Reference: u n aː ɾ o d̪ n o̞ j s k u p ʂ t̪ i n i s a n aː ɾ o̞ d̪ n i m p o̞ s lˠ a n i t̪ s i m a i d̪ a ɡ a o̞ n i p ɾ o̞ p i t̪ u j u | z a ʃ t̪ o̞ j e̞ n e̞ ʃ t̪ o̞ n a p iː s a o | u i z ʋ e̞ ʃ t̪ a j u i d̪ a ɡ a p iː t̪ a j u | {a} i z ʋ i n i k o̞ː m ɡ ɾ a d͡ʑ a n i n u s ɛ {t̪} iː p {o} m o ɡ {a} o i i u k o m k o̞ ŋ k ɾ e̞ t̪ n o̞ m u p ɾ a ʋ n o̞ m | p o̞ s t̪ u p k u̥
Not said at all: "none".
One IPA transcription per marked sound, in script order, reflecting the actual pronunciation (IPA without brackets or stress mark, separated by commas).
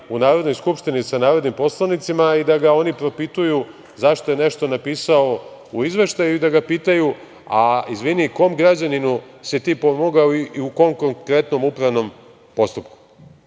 a, t̪, o, a